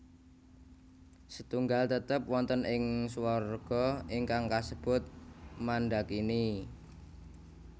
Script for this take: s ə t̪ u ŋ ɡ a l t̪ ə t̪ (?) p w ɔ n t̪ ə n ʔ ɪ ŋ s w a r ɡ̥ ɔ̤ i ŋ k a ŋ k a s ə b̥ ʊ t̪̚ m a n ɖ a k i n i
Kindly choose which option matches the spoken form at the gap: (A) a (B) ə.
B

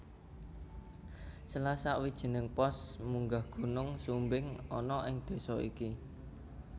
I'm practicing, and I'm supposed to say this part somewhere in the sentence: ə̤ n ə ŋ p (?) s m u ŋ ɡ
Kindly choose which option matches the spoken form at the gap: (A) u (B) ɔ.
B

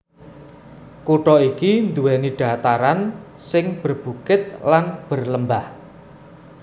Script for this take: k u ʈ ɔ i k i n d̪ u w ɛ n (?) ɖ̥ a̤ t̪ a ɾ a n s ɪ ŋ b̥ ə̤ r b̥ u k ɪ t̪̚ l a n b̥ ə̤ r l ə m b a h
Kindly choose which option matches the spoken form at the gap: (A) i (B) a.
A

